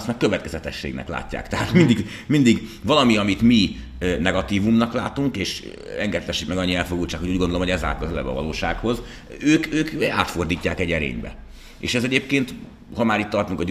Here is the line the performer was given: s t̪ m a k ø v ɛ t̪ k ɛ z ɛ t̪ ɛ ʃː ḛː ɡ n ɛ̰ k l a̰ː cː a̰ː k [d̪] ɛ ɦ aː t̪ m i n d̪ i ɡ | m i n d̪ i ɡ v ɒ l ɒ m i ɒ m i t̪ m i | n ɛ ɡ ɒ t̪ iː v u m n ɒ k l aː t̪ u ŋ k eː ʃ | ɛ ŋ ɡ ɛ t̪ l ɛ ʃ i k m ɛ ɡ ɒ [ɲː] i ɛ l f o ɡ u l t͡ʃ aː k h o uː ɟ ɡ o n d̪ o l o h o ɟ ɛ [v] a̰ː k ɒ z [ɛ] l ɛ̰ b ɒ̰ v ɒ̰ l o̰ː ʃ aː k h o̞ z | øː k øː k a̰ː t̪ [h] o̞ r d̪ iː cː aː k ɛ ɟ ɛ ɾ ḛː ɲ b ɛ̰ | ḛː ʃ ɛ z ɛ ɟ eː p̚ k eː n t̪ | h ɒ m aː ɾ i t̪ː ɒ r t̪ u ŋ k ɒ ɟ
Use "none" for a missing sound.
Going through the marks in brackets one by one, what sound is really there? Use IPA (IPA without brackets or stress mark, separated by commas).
t̪, ɲː, z, ɛ, f